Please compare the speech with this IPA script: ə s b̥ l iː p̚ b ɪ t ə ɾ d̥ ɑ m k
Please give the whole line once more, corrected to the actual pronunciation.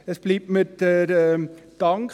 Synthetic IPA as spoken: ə s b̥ l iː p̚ m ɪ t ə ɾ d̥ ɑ ŋ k